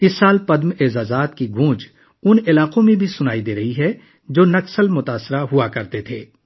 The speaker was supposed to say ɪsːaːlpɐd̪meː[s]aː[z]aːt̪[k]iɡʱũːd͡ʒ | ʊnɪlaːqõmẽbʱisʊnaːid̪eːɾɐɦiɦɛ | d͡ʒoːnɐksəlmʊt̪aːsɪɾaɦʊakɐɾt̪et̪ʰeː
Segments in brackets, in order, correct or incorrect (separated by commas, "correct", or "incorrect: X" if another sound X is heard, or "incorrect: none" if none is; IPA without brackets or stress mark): incorrect: z, correct, correct